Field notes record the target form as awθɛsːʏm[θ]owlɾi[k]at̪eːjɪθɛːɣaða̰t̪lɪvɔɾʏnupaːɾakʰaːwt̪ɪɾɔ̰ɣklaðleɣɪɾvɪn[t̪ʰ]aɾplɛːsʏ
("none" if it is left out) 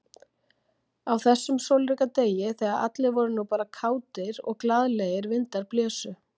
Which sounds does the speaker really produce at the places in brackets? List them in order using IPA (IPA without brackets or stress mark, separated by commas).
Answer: s, k, t̪